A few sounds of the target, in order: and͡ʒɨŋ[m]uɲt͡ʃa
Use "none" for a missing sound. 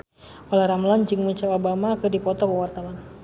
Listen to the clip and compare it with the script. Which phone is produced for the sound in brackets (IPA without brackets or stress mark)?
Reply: m